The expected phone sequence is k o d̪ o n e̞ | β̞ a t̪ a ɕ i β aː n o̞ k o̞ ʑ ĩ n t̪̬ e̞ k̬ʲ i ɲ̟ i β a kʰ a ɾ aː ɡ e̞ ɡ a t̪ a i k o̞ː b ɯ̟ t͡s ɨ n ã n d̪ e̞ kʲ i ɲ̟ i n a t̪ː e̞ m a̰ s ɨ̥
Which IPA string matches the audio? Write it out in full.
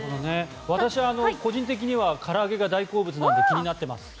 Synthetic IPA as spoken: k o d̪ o n e̞ | β̞ a t̪ a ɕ i β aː n o̞ k o̞ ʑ ĩ n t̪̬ e̞ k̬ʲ i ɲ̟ i β a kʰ a ɾ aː ɡ e̞ ɡ a d̪ a i k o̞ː b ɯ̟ t͡s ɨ n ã n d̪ e̞ kʲ i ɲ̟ i n a t̪ː e̞ m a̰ s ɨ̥